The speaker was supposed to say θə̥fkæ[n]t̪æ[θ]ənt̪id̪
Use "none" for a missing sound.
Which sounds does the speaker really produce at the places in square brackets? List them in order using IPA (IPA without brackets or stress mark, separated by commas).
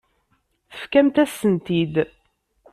m, s